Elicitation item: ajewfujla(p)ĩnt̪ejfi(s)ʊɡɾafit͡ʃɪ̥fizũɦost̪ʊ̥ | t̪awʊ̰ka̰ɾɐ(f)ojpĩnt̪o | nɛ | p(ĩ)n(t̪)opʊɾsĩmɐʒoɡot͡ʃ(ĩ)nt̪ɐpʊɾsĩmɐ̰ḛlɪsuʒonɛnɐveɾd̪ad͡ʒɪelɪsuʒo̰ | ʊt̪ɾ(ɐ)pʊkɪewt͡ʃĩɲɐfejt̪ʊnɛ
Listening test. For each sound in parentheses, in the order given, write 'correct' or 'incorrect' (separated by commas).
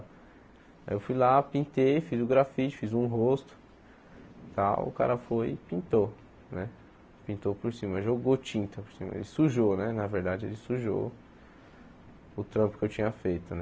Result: correct, incorrect, correct, correct, correct, correct, incorrect